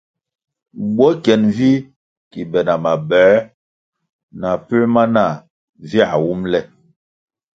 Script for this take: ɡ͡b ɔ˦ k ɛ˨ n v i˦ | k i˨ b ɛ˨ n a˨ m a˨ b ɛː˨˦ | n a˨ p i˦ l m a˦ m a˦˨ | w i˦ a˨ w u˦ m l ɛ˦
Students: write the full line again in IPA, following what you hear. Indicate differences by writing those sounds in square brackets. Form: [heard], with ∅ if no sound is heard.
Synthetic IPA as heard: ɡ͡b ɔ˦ k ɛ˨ n v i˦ | k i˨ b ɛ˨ n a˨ m a˨ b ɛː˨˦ | n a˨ p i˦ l m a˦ [n] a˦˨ | [v] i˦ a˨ w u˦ m l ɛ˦